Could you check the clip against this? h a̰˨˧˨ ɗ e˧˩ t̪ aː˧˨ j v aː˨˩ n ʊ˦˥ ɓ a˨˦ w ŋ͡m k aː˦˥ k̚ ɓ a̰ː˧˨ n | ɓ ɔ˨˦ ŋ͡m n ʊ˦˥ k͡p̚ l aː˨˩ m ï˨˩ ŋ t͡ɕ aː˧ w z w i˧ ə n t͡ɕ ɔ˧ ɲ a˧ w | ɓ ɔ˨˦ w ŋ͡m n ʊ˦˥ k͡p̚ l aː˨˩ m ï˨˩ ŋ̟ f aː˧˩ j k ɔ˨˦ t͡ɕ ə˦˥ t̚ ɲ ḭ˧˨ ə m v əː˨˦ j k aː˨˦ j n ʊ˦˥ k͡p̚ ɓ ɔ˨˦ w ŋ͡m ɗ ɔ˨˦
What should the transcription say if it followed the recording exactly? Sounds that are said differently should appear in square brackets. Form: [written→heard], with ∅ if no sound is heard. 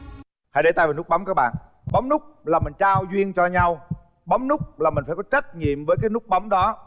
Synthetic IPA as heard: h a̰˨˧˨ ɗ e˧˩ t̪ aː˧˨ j v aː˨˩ n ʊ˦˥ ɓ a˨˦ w ŋ͡m k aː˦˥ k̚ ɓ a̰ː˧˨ n | ɓ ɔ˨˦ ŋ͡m n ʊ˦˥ k͡p̚ l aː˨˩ m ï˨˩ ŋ t͡ɕ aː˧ w z w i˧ ə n t͡ɕ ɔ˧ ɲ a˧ w | ɓ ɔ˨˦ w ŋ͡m n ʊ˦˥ k͡p̚ l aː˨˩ m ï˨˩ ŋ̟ f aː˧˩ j k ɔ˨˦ t͡ɕ ə˦˥ t̚ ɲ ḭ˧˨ ə m v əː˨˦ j k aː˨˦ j n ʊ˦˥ k͡p̚ ɓ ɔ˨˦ w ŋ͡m ɗ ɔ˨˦